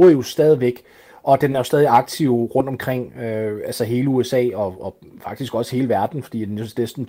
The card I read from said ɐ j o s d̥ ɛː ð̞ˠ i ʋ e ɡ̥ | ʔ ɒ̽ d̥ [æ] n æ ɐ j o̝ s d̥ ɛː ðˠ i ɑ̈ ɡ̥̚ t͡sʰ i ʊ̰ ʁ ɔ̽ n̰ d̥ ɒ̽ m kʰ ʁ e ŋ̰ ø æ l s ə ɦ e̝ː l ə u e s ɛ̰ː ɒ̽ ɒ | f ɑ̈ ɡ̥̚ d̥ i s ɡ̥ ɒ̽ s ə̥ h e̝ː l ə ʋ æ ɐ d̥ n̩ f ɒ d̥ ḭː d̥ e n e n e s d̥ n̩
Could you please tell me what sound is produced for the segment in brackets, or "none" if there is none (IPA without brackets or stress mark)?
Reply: e